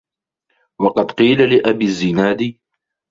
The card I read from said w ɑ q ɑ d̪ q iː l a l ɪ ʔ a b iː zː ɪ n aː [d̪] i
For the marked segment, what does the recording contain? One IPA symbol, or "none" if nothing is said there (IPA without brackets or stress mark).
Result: d̪